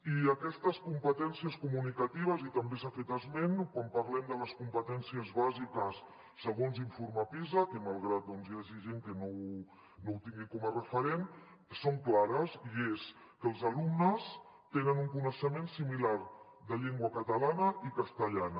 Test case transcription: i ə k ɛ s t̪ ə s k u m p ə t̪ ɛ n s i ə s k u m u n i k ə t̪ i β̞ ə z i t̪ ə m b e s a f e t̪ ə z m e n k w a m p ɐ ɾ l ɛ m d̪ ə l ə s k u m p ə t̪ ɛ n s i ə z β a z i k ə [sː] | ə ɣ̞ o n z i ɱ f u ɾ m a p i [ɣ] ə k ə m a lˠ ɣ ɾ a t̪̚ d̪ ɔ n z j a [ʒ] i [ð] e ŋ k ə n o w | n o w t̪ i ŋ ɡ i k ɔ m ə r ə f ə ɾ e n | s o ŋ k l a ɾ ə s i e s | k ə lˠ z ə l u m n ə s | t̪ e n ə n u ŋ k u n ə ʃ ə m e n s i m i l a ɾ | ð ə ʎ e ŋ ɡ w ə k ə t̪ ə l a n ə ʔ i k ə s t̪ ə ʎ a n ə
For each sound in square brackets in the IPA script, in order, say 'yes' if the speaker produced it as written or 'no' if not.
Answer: yes, no, yes, no

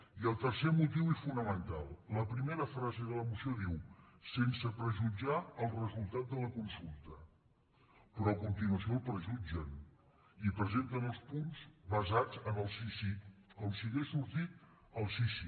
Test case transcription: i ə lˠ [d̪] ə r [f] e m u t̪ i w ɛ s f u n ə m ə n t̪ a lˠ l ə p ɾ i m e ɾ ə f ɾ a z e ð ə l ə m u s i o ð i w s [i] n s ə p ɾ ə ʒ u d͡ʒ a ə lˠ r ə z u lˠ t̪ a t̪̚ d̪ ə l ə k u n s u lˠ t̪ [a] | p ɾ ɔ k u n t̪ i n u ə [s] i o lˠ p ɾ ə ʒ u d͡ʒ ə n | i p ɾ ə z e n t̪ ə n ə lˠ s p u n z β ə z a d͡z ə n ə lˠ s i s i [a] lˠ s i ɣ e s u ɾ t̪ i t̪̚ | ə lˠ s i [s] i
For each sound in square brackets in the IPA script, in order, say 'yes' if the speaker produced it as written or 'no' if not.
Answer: no, no, no, no, yes, no, yes

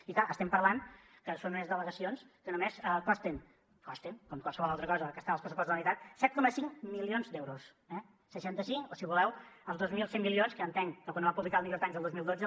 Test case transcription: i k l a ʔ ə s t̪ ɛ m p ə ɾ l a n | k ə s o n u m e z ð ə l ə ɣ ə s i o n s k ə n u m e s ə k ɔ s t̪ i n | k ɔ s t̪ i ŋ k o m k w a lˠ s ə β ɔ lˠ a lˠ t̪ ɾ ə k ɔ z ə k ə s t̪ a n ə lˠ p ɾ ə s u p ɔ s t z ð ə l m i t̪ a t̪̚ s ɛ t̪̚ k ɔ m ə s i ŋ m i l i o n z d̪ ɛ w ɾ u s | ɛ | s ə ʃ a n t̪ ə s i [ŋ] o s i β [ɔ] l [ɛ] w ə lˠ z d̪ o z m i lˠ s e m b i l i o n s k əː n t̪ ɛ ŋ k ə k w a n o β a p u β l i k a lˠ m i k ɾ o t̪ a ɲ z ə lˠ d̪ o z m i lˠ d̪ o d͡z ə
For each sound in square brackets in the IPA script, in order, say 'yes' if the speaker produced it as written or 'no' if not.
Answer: yes, no, yes

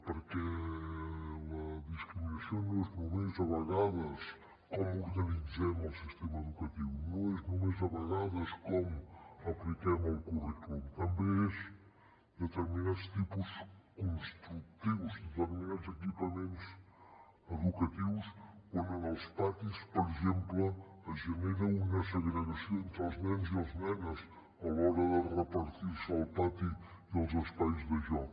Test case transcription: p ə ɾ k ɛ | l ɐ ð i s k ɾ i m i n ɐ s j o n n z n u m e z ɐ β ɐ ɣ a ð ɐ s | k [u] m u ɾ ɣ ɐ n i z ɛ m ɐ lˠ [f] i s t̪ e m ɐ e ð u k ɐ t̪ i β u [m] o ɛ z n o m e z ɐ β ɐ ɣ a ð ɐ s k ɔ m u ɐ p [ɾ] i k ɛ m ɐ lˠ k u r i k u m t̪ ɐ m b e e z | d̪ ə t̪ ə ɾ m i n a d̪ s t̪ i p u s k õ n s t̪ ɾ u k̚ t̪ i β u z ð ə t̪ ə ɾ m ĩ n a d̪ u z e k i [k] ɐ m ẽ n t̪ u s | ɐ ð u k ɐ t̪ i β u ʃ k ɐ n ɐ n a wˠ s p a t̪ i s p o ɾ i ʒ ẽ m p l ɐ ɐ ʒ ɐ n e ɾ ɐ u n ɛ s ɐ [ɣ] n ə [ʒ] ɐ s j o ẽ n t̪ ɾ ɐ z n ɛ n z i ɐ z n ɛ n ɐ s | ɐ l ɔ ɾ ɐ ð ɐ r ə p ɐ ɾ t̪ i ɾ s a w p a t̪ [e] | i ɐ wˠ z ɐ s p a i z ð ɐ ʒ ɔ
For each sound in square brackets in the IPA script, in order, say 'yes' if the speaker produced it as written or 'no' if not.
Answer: no, no, no, no, no, yes, no, no

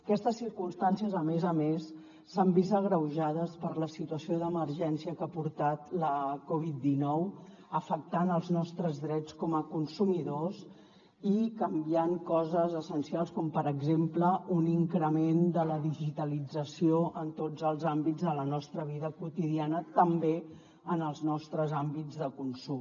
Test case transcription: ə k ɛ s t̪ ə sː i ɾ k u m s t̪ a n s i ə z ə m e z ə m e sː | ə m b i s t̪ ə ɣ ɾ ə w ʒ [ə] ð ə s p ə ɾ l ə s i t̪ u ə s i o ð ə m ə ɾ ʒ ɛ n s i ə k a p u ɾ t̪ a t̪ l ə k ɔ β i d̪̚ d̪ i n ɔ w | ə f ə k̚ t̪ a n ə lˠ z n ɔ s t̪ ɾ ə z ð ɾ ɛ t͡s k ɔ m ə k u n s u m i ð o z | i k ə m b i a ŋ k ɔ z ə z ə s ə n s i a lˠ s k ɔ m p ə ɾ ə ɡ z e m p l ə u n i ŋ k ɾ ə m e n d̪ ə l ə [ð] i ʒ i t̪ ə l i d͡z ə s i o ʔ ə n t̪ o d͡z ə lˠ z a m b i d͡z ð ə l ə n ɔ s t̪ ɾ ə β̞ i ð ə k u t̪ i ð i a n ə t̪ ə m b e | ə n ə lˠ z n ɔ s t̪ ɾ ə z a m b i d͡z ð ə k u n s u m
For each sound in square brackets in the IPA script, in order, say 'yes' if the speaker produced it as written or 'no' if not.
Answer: no, yes

